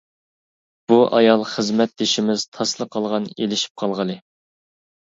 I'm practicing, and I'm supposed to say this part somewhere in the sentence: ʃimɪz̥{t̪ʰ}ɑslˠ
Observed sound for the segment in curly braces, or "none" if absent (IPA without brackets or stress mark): t̪ʰ